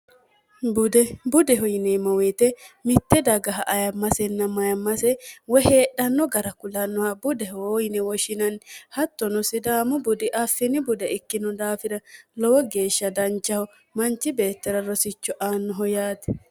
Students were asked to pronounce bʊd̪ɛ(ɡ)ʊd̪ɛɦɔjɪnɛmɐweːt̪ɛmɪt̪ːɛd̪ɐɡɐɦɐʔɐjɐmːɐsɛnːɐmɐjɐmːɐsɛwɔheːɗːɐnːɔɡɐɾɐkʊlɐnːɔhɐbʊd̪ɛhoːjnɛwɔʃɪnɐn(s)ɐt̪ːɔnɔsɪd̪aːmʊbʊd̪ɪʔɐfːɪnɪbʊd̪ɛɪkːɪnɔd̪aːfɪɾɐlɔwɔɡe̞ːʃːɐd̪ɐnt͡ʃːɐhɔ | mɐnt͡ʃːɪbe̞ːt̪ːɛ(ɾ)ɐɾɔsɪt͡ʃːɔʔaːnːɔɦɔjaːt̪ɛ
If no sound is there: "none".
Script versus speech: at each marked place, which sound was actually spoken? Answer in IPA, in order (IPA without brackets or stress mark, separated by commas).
b, h, ɾ